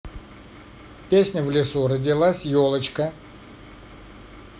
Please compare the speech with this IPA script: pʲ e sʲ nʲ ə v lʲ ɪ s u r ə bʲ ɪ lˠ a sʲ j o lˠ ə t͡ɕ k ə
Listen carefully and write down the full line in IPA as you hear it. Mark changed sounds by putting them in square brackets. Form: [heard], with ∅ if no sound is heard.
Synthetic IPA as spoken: pʲ e sʲ nʲ ə v lʲ ɪ s u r ə [dʲ] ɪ lˠ a sʲ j o lˠ ə t͡ɕ k ə

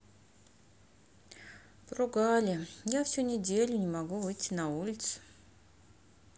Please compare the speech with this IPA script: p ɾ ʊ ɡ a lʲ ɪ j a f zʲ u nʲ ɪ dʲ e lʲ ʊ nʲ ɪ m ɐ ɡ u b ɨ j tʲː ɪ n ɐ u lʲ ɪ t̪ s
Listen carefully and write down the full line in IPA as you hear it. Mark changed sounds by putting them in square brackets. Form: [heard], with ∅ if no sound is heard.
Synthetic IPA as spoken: p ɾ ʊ ɡ a lʲ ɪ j a f [sʲ] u nʲ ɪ dʲ e lʲ ʊ nʲ ɪ m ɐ ɡ u [v] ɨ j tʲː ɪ n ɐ u lʲ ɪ t̪ s

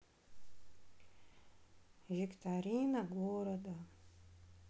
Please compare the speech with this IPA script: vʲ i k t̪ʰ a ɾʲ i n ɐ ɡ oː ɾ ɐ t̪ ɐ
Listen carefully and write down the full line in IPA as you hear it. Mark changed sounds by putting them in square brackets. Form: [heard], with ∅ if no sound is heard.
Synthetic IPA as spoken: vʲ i k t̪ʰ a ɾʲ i n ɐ ɡ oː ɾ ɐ [d̪] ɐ

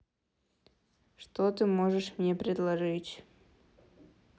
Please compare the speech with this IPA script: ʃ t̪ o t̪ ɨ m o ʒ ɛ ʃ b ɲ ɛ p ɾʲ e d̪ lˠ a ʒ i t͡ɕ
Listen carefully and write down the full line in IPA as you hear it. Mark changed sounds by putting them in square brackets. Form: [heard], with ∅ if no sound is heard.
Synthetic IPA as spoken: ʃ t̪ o t̪ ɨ m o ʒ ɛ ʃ [m] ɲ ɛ p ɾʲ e d̪ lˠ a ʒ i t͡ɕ

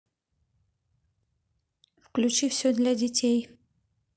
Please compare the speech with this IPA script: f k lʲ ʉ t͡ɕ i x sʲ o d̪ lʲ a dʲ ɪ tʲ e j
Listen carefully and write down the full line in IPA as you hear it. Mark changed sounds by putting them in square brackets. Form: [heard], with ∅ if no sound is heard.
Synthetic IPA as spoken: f k lʲ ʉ t͡ɕ i [f] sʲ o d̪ lʲ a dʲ ɪ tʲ e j

